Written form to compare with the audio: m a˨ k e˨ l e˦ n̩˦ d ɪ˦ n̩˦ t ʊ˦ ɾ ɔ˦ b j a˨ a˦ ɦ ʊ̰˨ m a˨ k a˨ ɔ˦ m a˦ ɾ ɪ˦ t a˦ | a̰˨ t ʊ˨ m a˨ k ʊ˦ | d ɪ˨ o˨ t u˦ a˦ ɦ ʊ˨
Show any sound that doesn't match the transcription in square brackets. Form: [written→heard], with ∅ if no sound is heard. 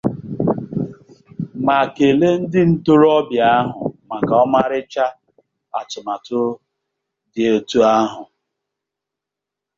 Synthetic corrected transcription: m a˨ k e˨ l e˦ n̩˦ d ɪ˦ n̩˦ t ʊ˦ ɾ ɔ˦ b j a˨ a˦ ɦ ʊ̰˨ m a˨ k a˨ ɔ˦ m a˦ ɾ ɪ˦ [t→t͡ʃ] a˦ | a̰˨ t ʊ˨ m a˨ [k→t] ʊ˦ | d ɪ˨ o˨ t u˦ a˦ ɦ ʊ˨

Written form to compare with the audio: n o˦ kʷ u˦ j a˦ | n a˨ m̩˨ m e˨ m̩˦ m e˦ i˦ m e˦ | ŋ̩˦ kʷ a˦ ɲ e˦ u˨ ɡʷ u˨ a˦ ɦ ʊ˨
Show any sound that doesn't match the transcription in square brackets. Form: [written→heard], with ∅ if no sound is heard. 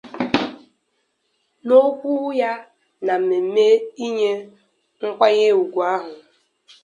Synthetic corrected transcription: n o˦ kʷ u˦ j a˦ | n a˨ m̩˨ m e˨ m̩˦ m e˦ i˦ [m→ɲ] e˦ | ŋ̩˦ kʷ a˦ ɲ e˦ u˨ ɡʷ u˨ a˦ ɦ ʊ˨

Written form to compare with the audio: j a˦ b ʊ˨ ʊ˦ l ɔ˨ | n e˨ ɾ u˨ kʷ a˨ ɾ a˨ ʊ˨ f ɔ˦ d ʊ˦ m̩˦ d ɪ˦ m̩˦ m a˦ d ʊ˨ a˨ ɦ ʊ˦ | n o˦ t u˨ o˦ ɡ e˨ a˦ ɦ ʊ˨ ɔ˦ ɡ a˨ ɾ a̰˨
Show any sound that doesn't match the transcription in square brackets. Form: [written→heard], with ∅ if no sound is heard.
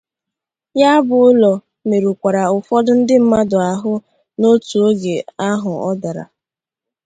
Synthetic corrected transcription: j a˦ b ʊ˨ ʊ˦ l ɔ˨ | [n→m] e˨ ɾ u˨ kʷ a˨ ɾ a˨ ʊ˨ f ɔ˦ d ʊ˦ [m̩˦→n̩˦] d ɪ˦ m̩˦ m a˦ d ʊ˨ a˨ ɦ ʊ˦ | n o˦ t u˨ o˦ ɡ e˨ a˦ ɦ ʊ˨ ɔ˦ [ɡ→d] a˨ ɾ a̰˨

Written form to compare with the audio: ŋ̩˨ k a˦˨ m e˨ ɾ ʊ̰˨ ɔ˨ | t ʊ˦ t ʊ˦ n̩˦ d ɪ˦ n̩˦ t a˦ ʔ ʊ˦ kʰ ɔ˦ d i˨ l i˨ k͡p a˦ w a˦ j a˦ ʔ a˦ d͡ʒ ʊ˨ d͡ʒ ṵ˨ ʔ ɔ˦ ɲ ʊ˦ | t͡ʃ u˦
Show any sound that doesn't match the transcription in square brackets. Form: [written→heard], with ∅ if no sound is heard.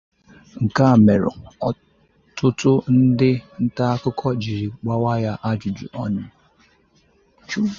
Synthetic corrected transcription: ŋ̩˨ k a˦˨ m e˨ ɾ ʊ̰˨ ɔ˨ | t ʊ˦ t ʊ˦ n̩˦ d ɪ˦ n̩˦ t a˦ [ʔ→k] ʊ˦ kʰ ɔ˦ [d→d͡ʒ] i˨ [l→ɾ] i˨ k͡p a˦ w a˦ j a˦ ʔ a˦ d͡ʒ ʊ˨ d͡ʒ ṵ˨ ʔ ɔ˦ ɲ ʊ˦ | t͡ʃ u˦

